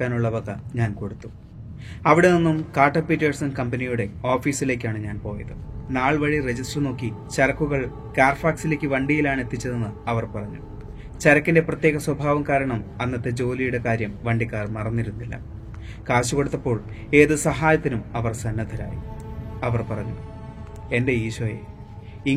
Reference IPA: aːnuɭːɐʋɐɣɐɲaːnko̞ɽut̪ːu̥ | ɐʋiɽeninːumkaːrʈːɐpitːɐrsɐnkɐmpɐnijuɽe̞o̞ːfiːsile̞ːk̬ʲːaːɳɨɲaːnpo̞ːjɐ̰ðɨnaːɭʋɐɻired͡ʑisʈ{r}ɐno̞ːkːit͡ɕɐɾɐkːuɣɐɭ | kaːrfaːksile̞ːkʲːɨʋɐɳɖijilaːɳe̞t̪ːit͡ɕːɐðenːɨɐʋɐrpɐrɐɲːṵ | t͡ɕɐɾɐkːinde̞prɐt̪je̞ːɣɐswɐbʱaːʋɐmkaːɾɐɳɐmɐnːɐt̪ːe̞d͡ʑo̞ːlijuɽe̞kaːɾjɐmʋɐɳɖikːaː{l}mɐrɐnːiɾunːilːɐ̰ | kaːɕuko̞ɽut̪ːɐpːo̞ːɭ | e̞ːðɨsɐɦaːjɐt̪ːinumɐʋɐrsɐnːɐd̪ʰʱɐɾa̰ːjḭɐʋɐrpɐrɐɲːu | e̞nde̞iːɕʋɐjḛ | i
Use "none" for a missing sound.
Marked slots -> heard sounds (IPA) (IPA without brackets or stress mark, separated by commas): r, r